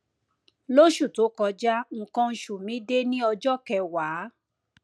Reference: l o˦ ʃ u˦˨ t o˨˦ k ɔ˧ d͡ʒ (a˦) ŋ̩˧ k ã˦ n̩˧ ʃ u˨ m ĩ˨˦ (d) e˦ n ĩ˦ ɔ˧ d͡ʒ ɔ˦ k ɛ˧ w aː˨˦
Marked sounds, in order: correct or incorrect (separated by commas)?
correct, correct